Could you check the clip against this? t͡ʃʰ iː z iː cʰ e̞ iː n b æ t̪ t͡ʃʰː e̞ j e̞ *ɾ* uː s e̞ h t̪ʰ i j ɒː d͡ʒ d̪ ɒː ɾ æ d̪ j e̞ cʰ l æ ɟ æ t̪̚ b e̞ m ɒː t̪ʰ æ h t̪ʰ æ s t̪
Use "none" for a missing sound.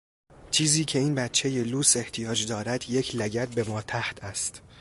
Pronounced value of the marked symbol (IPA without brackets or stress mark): l